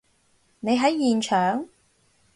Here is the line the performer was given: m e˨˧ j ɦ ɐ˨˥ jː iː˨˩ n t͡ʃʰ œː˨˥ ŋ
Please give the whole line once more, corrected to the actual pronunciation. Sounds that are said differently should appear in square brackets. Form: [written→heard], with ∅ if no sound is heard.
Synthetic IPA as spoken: [m→n] e˨˧ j ɦ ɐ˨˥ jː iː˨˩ n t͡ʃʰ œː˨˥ ŋ